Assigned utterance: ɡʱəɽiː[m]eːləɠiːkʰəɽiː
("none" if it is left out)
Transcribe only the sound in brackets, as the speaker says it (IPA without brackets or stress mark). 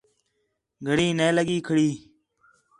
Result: n